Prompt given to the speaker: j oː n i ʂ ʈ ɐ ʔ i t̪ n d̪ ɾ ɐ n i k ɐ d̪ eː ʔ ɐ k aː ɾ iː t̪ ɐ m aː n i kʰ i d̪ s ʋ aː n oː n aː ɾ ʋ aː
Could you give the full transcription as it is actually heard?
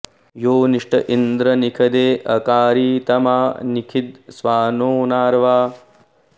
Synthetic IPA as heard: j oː n i ʂ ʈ ɐ ʔ i n d̪ ɾ ɐ n i kʰ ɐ d̪ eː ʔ ɐ k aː ɾ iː t̪ ɐ m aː n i kʰ i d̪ s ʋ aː n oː n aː ɾ ʋ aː